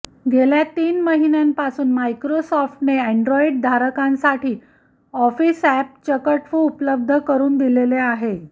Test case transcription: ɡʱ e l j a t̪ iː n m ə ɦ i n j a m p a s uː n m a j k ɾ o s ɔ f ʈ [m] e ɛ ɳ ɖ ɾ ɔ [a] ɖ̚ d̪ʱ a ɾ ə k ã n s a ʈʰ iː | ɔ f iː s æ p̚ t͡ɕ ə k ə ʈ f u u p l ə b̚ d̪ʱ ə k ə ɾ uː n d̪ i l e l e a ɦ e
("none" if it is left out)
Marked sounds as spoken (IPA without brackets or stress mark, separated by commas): n, i